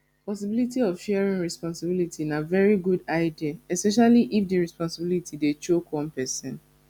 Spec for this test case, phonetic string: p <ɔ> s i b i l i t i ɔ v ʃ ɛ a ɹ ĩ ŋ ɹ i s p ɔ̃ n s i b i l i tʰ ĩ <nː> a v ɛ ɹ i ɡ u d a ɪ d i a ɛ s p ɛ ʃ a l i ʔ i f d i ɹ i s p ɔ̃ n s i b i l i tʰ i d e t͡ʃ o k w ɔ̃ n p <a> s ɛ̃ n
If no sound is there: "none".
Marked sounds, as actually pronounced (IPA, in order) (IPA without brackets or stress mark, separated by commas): ɔ, n, ɛ